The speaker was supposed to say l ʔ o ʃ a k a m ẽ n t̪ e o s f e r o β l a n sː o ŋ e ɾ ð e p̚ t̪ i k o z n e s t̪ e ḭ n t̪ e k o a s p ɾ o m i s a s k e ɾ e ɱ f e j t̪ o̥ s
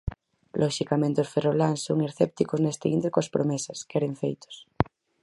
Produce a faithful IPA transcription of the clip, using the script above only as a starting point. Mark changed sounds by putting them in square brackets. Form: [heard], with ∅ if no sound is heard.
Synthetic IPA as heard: l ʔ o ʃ [i] k a m ẽ n t̪ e o s f e r o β l a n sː o ŋ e ɾ [θ] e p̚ t̪ i k o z n e s t̪ e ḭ n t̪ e k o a s p ɾ o m [e] s a s k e ɾ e ɱ f e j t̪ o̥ s

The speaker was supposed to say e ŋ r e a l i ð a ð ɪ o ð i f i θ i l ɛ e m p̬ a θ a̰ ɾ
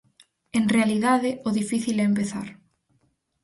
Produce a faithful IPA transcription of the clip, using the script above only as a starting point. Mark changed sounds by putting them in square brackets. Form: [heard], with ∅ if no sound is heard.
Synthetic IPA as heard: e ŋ r e a l i ð a ð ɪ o ð i f i θ i l ɛ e m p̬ [e] θ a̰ ɾ

